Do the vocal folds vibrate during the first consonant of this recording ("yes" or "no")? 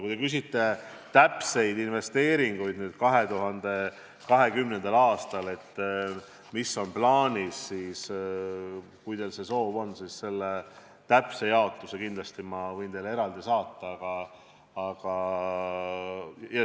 no